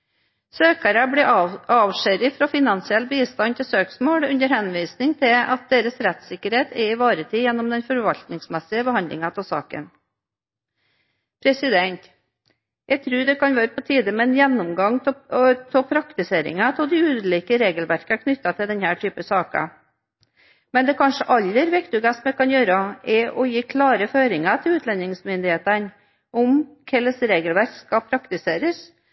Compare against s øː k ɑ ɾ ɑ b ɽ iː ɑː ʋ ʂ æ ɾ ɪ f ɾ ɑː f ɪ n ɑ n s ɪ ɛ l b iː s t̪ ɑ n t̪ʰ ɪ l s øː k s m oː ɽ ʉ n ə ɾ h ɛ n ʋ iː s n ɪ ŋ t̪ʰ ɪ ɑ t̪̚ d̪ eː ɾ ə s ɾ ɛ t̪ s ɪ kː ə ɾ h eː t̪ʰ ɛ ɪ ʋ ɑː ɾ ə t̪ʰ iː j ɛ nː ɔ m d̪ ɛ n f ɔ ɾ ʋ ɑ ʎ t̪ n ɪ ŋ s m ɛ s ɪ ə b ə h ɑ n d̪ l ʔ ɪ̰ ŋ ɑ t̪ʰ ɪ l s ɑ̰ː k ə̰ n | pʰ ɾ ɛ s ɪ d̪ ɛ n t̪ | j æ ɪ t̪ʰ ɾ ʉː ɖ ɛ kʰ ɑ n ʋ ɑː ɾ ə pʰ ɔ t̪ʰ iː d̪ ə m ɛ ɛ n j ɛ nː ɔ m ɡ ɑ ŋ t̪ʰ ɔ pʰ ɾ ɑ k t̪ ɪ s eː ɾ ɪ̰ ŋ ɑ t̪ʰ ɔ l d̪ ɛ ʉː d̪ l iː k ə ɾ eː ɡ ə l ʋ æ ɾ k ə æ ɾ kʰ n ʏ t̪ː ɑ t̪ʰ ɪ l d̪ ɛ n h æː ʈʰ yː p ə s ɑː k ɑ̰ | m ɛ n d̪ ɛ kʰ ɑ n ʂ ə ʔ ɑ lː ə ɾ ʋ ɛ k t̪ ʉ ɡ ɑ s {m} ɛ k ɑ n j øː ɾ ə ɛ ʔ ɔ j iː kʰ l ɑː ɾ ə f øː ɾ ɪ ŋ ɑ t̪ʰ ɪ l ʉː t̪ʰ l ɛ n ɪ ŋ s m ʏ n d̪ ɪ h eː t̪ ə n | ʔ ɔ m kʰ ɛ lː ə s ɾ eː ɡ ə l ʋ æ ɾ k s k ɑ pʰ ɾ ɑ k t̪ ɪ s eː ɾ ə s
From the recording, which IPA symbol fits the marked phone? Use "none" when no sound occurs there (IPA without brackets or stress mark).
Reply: m